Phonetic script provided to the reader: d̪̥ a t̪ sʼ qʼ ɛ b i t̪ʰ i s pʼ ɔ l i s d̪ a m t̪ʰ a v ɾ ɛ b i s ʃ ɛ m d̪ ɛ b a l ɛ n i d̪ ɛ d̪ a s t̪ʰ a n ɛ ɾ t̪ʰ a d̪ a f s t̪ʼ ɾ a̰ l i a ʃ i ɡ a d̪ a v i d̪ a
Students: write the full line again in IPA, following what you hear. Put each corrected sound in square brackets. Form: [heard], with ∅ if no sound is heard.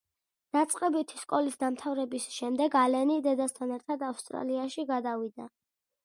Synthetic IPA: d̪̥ a t̪ sʼ qʼ ɛ b i t̪ʰ i s [kʼ] ɔ l i s d̪ a m t̪ʰ a v ɾ ɛ b i s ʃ ɛ m d̪ ɛ [ɡ] a l ɛ n i d̪ ɛ d̪ a s t̪ʰ a n ɛ ɾ t̪ʰ a d̪ a f s t̪ʼ ɾ a̰ l i a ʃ i ɡ a d̪ a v i d̪ a